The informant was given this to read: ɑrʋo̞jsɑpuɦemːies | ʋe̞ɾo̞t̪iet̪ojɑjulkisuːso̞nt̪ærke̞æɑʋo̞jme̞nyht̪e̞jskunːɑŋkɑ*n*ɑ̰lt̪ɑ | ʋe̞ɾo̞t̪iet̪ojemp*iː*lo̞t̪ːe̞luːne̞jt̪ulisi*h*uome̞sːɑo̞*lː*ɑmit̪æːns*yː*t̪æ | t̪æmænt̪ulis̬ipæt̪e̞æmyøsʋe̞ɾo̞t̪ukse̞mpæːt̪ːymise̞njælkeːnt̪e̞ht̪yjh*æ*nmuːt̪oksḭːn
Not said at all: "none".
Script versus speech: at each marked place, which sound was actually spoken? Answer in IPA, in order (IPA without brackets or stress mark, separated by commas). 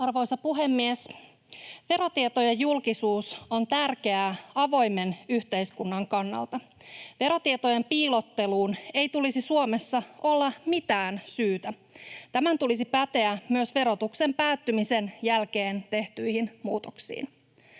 nː, iː, s, lː, yː, i